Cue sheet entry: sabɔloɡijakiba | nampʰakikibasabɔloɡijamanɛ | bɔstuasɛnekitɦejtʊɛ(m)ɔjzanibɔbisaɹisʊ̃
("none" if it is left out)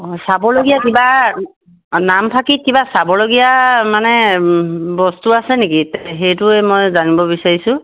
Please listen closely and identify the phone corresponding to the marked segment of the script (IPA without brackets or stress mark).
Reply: m